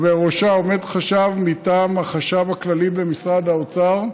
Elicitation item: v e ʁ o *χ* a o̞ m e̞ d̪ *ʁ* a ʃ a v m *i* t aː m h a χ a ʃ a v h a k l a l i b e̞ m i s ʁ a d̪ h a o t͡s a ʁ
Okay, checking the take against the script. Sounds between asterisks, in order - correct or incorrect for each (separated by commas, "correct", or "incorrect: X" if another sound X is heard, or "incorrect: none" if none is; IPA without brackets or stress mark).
incorrect: ʃ, incorrect: χ, correct